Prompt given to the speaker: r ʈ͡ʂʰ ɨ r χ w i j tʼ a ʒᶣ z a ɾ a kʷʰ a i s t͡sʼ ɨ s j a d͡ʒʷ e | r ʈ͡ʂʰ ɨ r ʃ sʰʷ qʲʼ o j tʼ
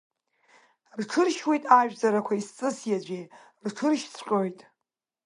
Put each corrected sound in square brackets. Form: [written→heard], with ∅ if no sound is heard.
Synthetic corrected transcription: r ʈ͡ʂʰ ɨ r [χ→ʃ] w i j tʼ a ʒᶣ z a ɾ a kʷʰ a i s t͡sʼ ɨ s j a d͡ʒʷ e | r ʈ͡ʂʰ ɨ r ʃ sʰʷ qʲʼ o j tʼ